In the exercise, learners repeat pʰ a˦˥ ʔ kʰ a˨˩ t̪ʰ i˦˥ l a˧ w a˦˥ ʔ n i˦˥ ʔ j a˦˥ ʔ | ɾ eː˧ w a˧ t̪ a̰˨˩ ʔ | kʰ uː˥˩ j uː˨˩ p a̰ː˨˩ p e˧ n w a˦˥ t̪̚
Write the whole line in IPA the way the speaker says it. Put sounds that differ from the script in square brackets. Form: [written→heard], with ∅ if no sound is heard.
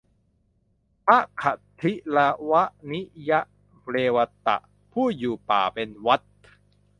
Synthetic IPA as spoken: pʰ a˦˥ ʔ kʰ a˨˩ t̪ʰ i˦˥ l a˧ w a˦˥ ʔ n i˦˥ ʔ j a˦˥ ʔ | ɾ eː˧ w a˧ t̪ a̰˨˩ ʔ | [kʰ→pʰ] uː˥˩ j uː˨˩ p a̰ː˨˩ p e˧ n w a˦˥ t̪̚